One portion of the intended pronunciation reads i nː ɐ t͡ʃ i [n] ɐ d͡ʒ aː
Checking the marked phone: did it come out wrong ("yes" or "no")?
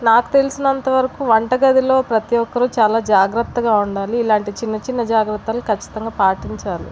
yes